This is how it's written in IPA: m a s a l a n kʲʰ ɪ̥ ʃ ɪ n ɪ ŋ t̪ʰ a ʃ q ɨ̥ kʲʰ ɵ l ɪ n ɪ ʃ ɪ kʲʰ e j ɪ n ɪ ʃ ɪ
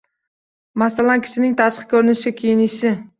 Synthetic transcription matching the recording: m a s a l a n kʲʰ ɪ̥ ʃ ɪ n ɪ ŋ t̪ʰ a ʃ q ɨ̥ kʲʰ ɵ ɾ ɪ n ɪ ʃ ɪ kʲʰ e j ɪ n ɪ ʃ ɪ